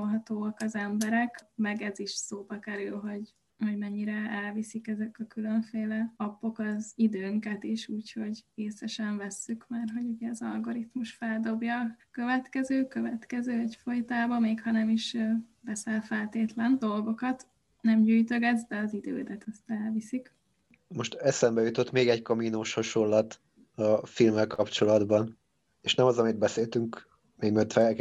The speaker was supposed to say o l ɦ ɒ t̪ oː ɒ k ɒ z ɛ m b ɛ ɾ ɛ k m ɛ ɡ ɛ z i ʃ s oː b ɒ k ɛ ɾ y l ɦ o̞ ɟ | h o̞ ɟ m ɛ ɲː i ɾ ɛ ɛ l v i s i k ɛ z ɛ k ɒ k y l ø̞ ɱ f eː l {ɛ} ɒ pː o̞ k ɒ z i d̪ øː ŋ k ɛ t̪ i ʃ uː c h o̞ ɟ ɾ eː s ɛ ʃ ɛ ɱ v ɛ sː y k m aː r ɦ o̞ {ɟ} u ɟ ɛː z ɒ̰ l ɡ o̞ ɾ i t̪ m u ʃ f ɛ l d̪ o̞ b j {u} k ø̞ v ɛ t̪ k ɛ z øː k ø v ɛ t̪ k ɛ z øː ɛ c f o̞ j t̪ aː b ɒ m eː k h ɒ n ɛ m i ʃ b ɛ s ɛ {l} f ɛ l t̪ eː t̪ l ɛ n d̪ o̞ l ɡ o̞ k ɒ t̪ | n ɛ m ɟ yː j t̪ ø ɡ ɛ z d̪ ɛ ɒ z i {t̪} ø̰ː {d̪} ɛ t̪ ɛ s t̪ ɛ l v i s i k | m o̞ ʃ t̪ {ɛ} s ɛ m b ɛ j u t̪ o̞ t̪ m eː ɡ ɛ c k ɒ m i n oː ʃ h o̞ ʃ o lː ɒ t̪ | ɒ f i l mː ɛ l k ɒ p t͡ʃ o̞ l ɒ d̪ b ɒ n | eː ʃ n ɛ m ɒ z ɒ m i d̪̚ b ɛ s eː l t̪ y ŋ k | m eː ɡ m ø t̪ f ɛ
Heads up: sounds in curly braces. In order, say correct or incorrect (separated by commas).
correct, correct, incorrect, correct, incorrect, correct, correct